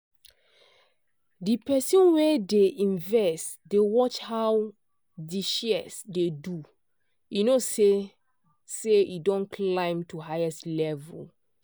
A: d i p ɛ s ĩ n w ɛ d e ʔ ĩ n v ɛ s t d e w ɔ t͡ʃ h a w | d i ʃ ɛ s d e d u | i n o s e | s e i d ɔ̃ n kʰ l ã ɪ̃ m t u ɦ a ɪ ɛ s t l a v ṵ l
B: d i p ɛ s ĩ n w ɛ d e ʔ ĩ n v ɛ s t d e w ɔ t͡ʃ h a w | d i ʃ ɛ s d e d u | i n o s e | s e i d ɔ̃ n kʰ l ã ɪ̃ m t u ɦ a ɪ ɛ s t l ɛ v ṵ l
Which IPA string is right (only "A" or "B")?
B